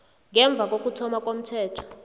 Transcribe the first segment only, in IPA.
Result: ŋ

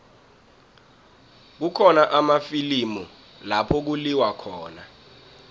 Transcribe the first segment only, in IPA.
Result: k̬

